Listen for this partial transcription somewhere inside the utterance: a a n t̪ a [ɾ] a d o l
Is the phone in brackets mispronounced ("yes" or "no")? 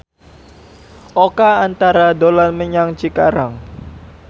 no